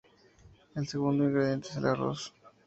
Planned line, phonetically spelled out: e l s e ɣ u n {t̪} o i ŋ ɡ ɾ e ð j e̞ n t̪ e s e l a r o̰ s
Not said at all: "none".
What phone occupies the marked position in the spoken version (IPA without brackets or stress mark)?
d̪